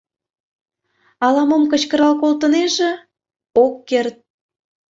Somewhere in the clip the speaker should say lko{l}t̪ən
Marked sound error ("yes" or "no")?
no